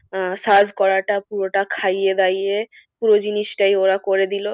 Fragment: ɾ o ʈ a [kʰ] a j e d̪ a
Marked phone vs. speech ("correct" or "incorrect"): correct